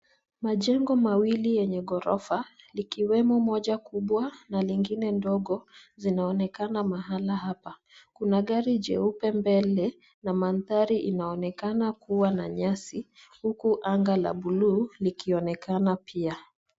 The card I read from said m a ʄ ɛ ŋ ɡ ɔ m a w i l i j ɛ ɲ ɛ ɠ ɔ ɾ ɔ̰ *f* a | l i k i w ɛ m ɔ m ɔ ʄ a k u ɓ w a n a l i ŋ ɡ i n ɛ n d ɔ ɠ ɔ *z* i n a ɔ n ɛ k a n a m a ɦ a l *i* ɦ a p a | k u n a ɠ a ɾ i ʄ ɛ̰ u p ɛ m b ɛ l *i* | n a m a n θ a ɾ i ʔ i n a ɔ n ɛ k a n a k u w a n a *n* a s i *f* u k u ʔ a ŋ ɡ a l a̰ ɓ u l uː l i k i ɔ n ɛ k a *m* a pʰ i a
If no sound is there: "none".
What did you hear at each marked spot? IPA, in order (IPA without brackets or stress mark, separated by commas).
f, z, a, ɛ, ɲ, h, n